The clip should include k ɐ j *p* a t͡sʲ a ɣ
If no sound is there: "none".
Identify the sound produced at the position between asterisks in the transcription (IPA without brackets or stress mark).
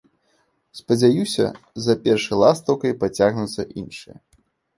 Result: p